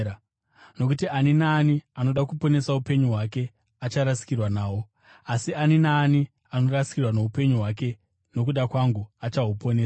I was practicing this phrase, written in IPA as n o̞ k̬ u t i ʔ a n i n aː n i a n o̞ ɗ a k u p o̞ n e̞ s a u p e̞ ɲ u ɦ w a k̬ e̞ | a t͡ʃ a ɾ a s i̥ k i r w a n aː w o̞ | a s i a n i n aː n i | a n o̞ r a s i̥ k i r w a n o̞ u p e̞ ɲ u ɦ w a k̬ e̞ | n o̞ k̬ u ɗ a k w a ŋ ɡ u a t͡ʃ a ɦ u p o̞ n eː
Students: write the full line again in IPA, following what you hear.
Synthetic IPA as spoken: n o̞ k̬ u t i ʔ a n i n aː n i a n o̞ ɗ a k u p o̞ n e̞ s a u p e̞ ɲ u ɦ w a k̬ e̞ | a t͡ʃ a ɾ a s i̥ k i r w a n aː w o̞ | a s i a n i n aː n i | a n o̞ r a s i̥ k i r w a n o̞ u p e̞ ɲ u ɦ w a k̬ e̞ | n o̞ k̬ u ɗ a k w a ŋ ɡ u a t͡ʃ a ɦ u p o̞ n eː